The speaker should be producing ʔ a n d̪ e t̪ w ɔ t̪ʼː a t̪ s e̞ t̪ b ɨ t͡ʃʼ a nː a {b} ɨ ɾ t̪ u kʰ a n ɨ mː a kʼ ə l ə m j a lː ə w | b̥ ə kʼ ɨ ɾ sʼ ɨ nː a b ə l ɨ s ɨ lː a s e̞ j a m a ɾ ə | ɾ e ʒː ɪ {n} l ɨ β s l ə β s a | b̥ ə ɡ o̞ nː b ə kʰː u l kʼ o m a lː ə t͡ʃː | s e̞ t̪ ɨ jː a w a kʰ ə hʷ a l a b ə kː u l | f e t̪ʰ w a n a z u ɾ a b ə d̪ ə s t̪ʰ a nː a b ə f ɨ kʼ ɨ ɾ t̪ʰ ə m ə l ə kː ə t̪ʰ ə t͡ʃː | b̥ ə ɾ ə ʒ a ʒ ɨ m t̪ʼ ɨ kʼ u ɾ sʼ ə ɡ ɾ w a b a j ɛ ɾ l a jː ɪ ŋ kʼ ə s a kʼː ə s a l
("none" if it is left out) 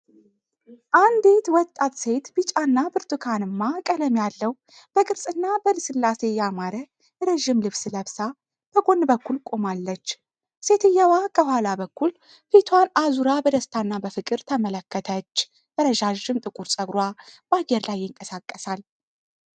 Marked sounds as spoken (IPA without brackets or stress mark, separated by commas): b, m